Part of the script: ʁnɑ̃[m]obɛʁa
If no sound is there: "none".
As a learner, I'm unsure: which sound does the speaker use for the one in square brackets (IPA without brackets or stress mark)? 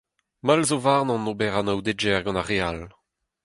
n